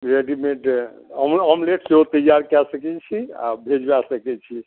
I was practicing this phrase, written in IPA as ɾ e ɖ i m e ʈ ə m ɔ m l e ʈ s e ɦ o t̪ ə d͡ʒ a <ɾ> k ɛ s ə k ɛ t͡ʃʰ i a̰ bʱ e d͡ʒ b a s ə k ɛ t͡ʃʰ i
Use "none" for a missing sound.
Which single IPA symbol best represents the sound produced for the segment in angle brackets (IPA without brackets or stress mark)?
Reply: ɾ